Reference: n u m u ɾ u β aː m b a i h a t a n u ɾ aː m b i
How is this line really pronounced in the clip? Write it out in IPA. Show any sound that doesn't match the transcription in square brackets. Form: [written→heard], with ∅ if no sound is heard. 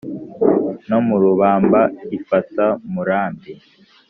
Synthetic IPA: n [u→o] m u ɾ u β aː m b a i [h→f] a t a [n→m] u ɾ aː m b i

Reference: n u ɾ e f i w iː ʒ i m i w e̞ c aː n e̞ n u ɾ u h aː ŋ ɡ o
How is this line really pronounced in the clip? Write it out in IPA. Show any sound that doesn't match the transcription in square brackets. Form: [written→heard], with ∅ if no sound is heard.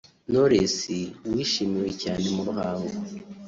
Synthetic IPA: n [u→o] ɾ e [f→s] i w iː [ʒ→ʃ] i m i w e̞ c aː n e̞ [n→m] u ɾ u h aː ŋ ɡ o

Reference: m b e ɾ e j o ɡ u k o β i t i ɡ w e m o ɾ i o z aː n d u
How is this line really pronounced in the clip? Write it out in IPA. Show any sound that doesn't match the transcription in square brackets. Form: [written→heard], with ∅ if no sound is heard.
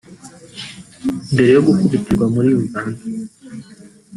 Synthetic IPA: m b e ɾ e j o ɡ u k [o→u] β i t i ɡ w [e→a] m [o→u] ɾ i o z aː n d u

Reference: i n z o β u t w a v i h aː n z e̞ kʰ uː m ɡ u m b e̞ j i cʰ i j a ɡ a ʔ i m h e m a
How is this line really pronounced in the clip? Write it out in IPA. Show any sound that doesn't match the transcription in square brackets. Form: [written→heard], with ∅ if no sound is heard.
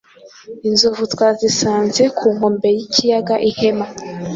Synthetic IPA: i n z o [β→v] u t w a [v→z] i [h→s] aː n z e̞ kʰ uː [m→ŋ] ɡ [u→o] m b e̞ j i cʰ i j a ɡ a ʔ i [m→∅] h e m a

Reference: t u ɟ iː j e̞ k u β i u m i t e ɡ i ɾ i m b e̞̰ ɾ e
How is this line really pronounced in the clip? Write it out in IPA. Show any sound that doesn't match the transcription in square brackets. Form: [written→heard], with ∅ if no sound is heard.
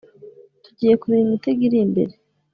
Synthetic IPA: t u ɟ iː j e̞ k u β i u m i t e ɡ i ɾ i m b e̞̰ ɾ e

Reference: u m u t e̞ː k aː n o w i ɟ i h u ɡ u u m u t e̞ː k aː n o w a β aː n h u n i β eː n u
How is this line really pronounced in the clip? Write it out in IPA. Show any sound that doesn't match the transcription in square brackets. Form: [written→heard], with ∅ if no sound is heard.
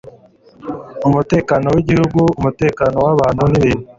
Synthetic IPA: u m u t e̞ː k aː n o w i ɟ i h u ɡ u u m u t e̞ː k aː n o w a β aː n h u n i β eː n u

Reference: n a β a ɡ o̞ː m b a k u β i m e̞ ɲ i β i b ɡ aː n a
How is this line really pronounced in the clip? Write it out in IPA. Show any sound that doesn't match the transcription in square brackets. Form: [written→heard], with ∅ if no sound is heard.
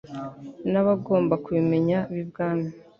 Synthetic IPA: n a β a ɡ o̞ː m b a k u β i m e̞ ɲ [i→a] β i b ɡ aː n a

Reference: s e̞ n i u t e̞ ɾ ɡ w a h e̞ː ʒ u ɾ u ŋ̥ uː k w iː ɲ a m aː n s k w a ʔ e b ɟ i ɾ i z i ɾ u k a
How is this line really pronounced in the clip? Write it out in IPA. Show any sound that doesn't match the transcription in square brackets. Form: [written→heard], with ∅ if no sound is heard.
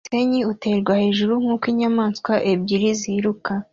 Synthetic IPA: s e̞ [n→ɲ] i u t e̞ ɾ ɡ w a h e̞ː ʒ u ɾ u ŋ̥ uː k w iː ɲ a m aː n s k w a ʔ e b ɟ i ɾ i z i ɾ u k a

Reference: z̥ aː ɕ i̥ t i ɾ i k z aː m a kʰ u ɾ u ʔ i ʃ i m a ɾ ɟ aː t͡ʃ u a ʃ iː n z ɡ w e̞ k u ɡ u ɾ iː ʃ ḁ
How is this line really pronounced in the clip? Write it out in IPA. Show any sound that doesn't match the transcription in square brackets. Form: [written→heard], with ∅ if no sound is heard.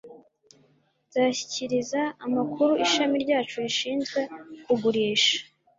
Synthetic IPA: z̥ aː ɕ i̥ [t→c] i ɾ i [k→∅] z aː m a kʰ u ɾ u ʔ i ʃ [i→a] m [a→i] ɾ ɟ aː t͡ʃ u [a→i] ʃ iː n z ɡ w e̞ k u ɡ u ɾ iː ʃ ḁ

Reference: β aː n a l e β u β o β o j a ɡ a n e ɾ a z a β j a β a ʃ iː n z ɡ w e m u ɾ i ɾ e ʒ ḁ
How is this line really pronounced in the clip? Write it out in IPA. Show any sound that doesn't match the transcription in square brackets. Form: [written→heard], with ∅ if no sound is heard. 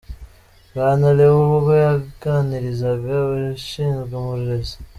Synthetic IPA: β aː n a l e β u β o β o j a ɡ a n [e→i] ɾ [a→i] z a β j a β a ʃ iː n z ɡ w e m u ɾ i ɾ e [ʒ→z] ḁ

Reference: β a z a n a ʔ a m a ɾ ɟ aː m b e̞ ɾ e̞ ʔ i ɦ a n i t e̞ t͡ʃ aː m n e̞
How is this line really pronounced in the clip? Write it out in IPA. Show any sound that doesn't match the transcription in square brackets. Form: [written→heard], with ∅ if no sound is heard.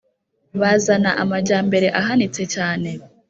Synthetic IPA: β a z a n a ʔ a m a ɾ ɟ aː m b e̞ ɾ e̞ ʔ [i→a] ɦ a n i [t→t͡s] e̞ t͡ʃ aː [m→∅] n e̞

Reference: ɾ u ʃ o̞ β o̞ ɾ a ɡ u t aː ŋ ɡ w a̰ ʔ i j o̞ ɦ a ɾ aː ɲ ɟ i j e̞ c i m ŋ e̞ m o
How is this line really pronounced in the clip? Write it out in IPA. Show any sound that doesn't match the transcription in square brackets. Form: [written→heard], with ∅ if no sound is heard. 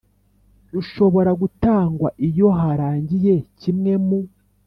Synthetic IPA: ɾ u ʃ o̞ β o̞ ɾ a ɡ u t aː ŋ ɡ w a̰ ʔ i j o̞ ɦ a ɾ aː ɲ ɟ i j e̞ c i m ŋ e̞ m [o→u]

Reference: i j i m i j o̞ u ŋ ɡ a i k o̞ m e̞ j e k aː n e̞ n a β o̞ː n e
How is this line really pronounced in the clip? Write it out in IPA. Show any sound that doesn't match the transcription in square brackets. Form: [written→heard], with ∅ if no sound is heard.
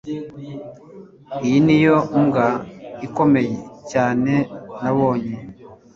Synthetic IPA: i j i [m→n] i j o̞ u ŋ ɡ a i k o̞ m e̞ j e [k→c] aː n e̞ n a β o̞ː [n→ɲ] e

